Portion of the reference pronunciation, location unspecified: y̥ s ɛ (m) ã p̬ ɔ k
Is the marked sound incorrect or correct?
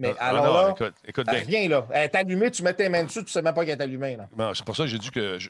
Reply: correct